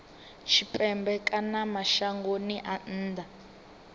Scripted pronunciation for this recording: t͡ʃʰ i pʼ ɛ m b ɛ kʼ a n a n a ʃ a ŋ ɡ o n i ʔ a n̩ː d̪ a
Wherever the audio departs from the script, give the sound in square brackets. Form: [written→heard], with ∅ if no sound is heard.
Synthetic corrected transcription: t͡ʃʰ i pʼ ɛ m b ɛ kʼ a n a [n→m] a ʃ a ŋ ɡ o n i ʔ a n̩ː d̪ a